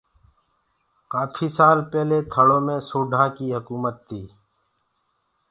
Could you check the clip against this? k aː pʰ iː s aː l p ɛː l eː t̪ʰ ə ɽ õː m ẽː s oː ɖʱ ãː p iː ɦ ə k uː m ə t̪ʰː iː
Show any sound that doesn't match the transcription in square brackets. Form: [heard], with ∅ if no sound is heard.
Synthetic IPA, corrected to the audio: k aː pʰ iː s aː l p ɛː l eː t̪ʰ ə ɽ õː m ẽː s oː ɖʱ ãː [k] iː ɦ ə k uː m ə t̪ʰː iː